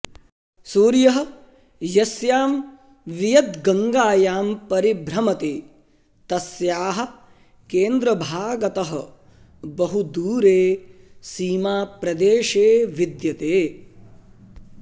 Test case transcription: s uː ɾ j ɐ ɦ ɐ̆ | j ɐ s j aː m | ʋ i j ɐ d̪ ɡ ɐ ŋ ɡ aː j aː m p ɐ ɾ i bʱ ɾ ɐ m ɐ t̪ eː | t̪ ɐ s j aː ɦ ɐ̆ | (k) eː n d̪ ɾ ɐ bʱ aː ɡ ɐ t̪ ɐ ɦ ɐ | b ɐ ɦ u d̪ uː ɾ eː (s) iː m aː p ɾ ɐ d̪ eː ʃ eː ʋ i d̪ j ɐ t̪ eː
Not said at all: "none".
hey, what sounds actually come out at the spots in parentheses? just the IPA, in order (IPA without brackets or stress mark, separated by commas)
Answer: k, s